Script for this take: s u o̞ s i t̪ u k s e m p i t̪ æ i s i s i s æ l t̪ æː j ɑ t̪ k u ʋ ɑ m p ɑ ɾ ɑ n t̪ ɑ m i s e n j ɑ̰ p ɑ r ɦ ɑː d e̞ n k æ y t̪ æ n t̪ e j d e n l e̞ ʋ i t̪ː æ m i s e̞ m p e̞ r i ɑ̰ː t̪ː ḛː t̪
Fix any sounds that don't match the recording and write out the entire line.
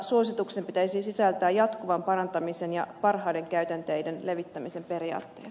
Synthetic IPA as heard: s u o̞ s i t̪ u k s e m p i t̪ æ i s i s i s æ l t̪ æː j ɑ t̪ k u ʋ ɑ m p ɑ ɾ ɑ n t̪ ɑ m i s e n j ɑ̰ p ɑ r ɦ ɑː d e̞ ŋ k æ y t̪ æ n t̪ e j d e n l e̞ ʋ i t̪ː æ m i s e̞ m p e̞ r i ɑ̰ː t̪ː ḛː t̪